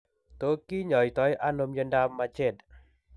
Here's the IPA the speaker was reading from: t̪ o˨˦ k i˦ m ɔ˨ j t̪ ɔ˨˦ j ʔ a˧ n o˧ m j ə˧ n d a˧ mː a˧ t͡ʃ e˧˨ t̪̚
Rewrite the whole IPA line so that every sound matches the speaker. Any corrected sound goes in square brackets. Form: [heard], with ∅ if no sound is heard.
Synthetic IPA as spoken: t̪ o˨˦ k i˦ [ɲ] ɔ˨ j t̪ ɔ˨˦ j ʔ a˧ n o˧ m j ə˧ n d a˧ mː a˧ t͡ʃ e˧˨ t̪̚